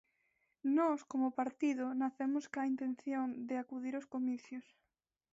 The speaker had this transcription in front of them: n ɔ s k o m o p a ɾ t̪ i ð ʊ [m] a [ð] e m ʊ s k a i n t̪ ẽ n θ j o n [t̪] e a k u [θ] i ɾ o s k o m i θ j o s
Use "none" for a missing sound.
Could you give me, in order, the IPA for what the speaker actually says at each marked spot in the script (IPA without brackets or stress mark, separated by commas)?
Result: n, θ, d̪, ð